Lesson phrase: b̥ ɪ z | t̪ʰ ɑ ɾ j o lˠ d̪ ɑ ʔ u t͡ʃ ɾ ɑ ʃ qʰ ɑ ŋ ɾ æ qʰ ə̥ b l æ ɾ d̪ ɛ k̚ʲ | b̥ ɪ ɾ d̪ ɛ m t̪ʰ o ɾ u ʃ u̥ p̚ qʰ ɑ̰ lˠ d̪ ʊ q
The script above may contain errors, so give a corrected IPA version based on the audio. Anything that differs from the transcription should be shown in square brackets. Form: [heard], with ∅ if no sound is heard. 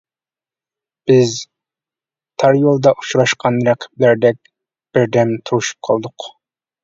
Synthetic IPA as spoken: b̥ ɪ z | t̪ʰ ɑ ɾ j o lˠ d̪ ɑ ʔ u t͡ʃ ɾ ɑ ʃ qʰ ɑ [n] ɾ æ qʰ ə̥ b l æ ɾ d̪ ɛ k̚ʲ | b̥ ɪ ɾ d̪ ɛ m t̪ʰ [u] ɾ u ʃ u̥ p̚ qʰ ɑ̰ lˠ d̪ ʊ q